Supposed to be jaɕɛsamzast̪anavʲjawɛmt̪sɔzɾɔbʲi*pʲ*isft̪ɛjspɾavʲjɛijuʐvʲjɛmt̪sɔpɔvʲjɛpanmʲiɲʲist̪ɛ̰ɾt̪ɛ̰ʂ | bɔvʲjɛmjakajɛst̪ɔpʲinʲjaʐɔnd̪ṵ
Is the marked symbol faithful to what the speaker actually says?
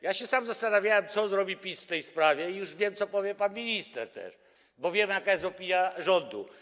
yes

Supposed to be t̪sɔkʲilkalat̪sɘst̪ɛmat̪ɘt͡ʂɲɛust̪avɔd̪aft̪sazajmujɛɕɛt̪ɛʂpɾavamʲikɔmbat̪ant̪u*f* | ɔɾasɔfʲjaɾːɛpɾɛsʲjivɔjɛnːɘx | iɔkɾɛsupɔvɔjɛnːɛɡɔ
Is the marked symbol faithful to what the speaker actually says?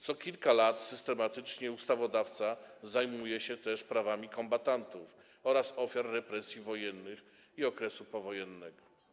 yes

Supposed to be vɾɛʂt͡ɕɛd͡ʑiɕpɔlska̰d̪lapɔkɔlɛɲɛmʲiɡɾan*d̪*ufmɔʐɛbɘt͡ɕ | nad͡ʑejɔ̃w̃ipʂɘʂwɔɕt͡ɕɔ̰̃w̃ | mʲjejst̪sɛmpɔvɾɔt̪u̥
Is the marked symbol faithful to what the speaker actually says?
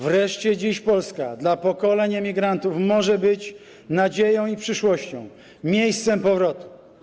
no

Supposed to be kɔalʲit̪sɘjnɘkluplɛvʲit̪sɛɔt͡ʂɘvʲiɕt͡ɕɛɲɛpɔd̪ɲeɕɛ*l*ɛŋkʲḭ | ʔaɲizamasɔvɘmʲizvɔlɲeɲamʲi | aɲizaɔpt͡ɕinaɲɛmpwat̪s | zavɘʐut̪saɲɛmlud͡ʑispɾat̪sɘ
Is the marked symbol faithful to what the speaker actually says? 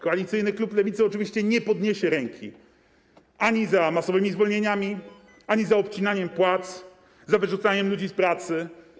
no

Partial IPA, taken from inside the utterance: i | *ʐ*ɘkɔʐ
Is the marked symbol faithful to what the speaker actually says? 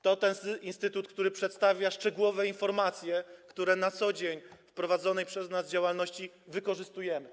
no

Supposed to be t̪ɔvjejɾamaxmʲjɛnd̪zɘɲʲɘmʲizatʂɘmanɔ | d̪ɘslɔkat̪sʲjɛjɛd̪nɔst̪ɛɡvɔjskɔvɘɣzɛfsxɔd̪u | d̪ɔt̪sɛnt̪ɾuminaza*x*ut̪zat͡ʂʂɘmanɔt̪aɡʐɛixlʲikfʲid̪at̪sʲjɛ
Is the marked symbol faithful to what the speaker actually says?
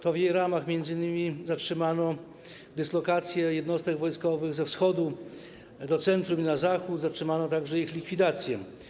yes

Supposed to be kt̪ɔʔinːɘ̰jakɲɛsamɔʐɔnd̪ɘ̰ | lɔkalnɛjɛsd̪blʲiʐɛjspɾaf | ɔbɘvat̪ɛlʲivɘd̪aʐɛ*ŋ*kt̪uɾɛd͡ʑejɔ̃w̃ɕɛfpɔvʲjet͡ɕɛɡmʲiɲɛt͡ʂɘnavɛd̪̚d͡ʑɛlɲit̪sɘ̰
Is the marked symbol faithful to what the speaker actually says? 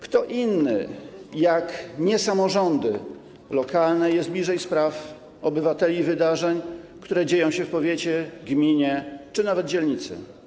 no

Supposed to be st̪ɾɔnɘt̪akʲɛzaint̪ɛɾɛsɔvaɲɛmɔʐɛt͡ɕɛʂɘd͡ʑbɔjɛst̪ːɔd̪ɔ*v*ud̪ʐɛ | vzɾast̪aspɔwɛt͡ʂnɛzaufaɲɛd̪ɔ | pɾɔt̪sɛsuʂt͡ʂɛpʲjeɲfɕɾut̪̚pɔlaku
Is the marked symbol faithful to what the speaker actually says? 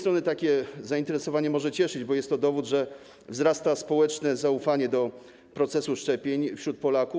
yes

